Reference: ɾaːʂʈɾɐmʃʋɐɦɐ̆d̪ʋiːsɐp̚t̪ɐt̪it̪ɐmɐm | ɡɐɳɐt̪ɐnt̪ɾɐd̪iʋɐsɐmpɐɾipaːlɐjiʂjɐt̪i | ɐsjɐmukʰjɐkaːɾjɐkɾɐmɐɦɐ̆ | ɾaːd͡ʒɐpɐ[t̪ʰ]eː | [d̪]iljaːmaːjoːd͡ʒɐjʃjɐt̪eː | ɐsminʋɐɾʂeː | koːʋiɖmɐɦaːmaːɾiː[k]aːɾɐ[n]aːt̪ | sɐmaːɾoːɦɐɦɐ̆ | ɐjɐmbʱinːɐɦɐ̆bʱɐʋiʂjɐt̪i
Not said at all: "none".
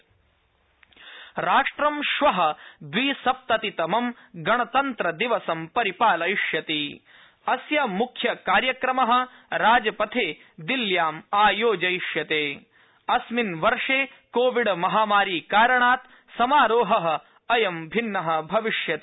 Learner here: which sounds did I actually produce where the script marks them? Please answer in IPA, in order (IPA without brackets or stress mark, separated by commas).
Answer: t̪ʰ, d̪, k, ɳ